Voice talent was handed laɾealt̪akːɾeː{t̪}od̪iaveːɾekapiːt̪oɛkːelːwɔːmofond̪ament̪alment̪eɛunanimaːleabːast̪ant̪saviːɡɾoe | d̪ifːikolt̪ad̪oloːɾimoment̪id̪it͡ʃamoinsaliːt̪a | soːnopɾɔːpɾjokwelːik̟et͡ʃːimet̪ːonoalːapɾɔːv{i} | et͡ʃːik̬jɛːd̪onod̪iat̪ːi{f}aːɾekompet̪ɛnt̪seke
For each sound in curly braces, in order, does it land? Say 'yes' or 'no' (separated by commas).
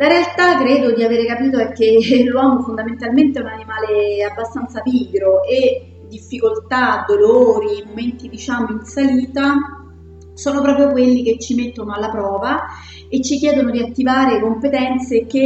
no, no, no